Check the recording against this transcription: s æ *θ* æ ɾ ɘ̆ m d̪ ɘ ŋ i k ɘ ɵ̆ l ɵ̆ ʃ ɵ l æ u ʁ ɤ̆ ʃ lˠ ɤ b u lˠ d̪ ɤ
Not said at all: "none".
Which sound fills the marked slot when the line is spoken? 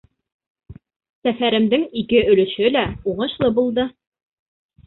f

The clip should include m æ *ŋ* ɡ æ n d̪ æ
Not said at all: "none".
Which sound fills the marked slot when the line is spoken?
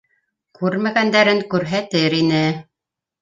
none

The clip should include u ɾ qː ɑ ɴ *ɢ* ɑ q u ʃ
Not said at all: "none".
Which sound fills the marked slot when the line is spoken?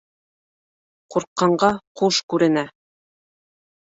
ɢ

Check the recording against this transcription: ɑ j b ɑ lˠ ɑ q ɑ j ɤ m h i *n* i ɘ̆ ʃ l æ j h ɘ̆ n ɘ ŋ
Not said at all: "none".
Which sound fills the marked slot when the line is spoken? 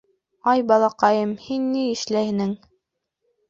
nː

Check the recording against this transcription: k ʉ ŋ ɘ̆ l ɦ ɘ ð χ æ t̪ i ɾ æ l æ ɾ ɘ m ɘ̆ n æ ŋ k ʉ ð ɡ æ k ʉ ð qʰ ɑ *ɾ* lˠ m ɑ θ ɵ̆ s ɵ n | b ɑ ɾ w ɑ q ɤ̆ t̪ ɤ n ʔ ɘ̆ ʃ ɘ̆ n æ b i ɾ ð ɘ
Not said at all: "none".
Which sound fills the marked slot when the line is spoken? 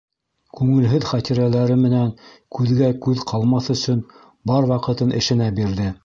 none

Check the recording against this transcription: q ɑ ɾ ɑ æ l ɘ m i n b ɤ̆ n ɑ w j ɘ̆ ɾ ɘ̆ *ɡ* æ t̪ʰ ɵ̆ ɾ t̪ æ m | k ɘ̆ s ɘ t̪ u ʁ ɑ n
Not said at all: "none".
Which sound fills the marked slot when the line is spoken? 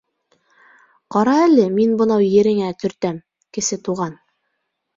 ŋ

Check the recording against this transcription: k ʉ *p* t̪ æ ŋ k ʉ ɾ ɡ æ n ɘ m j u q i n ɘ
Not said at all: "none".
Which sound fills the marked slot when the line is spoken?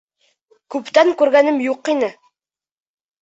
p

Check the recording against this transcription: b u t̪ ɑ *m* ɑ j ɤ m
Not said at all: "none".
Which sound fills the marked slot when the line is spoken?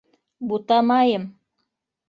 m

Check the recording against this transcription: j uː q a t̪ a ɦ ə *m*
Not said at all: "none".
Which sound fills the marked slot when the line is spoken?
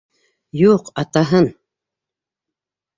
n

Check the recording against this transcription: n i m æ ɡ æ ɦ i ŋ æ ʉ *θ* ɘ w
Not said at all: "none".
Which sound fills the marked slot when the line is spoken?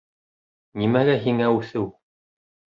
θ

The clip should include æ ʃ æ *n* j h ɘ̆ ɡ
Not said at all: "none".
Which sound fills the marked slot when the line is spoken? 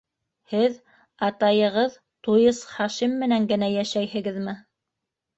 none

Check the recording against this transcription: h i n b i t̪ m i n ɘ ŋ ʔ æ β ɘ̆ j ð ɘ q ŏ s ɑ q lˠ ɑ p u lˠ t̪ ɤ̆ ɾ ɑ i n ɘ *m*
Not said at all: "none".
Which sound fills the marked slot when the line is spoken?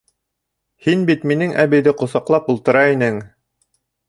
ŋ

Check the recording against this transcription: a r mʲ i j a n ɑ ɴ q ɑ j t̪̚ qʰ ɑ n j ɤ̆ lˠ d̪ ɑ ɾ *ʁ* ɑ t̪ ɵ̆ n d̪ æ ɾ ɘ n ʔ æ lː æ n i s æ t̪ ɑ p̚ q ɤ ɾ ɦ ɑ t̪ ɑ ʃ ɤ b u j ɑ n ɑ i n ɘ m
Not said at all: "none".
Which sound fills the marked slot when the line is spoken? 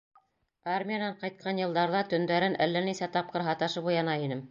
ð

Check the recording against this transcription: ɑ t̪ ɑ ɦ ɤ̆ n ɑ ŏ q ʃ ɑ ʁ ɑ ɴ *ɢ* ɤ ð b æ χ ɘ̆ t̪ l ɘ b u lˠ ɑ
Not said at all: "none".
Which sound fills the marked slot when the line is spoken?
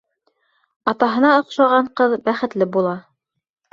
q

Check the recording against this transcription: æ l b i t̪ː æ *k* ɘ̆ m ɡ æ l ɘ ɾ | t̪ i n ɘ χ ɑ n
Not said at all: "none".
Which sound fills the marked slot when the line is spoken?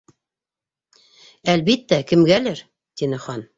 k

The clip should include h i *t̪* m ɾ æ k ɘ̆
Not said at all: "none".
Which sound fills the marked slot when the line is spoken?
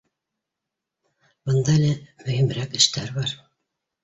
none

